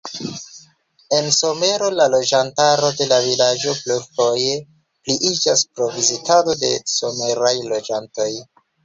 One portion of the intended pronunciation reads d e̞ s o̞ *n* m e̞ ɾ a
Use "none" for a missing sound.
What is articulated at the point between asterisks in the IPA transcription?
none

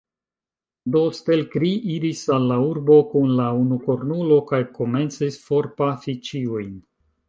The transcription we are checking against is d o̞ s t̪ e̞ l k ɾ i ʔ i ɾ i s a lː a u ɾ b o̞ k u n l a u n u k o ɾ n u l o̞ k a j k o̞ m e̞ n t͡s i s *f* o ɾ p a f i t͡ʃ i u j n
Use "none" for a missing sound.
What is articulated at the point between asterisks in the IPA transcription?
f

